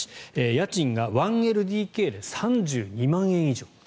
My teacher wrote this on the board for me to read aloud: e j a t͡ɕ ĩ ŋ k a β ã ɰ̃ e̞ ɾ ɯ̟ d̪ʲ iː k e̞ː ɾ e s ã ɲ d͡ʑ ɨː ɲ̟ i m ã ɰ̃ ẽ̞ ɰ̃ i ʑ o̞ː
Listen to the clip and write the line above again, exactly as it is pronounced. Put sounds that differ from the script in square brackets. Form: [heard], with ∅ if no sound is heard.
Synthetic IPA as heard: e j a t͡ɕ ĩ ŋ [ɡ] a β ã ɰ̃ e̞ ɾ ɯ̟ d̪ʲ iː k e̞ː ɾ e s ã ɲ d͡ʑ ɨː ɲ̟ i m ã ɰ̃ ẽ̞ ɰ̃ i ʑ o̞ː

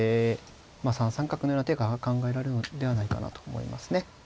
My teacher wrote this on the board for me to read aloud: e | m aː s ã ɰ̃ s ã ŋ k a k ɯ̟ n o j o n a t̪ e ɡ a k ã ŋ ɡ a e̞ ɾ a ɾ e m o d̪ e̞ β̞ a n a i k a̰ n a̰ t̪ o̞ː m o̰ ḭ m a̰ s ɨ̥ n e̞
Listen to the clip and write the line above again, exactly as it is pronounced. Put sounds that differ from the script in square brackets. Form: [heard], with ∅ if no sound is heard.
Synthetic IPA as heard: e | m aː s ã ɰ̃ s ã ŋ k a k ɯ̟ n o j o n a t̪ e ɡ a k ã ŋ ɡ a e̞ ɾ a ɾ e [n] o d̪ e̞ β̞ a n a i k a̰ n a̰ t̪ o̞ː m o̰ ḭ m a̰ s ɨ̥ n e̞

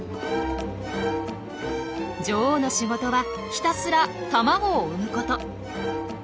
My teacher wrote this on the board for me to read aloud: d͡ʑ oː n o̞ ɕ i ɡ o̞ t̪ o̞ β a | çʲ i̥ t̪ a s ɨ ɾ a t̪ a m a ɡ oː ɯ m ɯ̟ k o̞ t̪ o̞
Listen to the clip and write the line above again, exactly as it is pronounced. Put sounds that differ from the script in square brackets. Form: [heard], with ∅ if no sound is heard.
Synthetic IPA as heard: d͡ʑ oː n o̞ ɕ i ɡ o̞ t̪ o̞ β a | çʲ i̥ t̪ a s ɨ ɾ a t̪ a m a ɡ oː ɯ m ɯ̟ k o̞ t̪ o̞

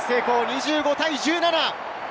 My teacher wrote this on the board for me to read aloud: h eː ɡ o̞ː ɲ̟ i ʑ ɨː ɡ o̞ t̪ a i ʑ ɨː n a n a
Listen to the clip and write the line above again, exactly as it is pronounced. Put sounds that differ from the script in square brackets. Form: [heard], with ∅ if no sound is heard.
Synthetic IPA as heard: [s] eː [k] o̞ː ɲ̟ i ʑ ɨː ɡ o̞ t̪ a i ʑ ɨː n a n a

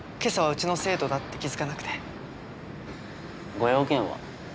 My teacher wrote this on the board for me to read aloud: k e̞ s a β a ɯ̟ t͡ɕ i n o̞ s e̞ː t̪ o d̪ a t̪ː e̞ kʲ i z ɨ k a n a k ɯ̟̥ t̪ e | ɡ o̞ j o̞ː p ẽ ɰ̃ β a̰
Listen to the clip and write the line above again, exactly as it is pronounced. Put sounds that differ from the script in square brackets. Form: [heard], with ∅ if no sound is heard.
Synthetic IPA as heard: k e̞ s a β a ɯ̟ t͡ɕ i n o̞ s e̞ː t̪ o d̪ a t̪ː e̞ kʲ i z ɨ k a n a k ɯ̟̥ t̪ e | ɡ o̞ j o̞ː [k] ẽ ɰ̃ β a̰

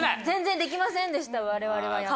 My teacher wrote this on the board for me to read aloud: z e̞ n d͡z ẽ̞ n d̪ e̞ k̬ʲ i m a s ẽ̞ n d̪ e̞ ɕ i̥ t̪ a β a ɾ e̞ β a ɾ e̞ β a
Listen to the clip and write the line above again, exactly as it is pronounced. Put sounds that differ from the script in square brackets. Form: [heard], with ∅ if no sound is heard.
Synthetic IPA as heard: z [ẽ̞] n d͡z ẽ̞ n d̪ e̞ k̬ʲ i m a s ẽ̞ n d̪ e̞ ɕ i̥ t̪ a β a ɾ e̞ β a ɾ e̞ β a

